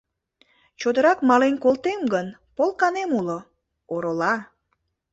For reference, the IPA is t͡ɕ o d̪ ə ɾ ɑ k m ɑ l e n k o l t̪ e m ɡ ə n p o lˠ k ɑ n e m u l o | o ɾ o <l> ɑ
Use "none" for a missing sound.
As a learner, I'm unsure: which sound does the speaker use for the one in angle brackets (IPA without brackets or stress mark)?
l